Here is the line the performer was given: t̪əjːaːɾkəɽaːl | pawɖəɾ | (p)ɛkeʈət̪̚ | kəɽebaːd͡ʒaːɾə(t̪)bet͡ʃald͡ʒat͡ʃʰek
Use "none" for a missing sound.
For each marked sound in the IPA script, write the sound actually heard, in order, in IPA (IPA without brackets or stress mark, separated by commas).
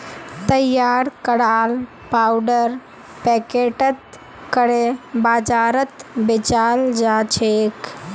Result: p, t̪